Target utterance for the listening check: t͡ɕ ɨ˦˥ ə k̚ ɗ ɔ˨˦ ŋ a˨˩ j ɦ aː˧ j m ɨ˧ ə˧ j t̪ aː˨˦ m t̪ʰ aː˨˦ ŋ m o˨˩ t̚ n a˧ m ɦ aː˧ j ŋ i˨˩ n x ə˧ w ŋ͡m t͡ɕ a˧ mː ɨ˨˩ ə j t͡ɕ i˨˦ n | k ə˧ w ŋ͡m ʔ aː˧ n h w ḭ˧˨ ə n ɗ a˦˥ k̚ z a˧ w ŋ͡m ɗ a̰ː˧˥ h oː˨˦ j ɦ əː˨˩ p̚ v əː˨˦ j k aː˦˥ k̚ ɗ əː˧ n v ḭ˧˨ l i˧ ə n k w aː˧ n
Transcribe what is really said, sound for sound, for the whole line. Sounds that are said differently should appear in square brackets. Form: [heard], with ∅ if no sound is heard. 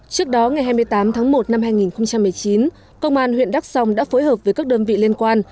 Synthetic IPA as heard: t͡ɕ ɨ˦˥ ə k̚ ɗ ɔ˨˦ ŋ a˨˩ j ɦ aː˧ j m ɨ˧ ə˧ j t̪ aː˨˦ m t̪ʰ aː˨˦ ŋ m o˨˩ t̚ n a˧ m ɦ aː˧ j ŋ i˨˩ n x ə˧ w ŋ͡m t͡ɕ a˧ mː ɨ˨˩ ə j t͡ɕ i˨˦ n | k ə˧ w ŋ͡m ʔ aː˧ n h w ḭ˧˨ ə n ɗ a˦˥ k̚ [s] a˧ w ŋ͡m ɗ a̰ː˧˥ [f] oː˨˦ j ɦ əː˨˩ p̚ v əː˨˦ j k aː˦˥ k̚ ɗ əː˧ n v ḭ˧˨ l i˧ ə n k w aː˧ n